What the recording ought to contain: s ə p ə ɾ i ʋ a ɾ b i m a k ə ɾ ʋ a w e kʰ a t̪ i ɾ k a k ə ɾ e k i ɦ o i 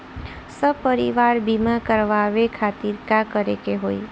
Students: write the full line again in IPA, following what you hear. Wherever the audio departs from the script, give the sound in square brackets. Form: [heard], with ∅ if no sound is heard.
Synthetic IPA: s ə p ə ɾ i ʋ a ɾ b i m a k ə ɾ ʋ a [ʋ] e kʰ a t̪ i ɾ k a k ə ɾ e k [e] ɦ o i